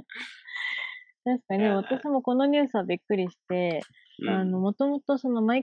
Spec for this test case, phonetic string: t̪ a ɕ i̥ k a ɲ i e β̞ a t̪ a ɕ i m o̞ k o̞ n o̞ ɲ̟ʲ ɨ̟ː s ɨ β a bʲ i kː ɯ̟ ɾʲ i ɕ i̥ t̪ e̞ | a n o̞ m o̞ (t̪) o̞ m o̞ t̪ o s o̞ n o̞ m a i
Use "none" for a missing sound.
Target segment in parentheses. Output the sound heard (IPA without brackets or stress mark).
t̪